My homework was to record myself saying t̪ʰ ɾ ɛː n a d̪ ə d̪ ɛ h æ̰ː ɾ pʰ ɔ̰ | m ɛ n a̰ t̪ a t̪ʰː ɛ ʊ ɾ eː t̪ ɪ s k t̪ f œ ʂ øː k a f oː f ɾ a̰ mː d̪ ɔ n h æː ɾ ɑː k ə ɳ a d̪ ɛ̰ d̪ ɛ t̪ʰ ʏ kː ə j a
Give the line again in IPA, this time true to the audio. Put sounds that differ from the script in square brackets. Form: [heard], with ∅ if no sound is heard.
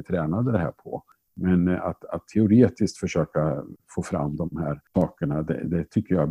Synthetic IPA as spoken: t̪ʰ ɾ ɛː n a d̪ ə d̪ ɛ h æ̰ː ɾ pʰ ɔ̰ | m ɛ n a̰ t̪ a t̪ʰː ɛ ʊ ɾ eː t̪ ɪ s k t̪ f œ ʂ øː k a f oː f ɾ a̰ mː d̪ ɔ [m] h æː ɾ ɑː k ə ɳ a d̪ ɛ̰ d̪ ɛ t̪ʰ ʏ kː ə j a